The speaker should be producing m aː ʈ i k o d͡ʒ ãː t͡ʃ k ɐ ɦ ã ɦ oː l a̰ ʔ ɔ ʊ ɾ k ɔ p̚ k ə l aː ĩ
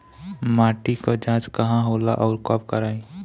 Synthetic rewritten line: m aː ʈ i k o d͡ʒ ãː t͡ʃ k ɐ ɦ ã ɦ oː l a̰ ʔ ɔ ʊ ɾ k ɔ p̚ k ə ɾ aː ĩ